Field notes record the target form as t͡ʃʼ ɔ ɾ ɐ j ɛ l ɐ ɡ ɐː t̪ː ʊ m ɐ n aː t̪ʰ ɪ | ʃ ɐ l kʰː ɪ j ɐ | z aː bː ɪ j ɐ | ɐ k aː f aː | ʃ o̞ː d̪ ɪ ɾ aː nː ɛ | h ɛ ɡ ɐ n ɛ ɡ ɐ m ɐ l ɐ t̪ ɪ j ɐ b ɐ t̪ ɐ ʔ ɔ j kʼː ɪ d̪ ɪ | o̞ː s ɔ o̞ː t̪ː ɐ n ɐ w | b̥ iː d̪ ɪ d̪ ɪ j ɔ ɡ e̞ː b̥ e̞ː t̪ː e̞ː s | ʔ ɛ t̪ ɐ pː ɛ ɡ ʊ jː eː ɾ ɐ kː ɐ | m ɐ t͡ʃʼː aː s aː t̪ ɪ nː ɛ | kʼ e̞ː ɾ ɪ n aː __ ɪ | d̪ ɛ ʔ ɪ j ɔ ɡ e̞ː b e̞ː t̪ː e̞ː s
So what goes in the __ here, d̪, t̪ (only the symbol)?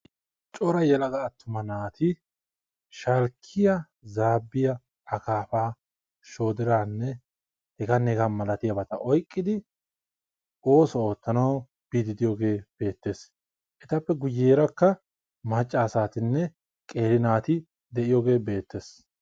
t̪